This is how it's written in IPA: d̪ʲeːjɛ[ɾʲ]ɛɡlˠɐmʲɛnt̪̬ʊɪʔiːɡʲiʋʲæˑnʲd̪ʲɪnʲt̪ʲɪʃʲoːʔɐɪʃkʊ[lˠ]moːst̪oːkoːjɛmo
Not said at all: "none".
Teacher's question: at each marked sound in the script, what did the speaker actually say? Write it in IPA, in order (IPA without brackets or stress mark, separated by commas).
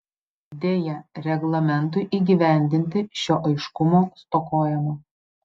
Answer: ɾʲ, none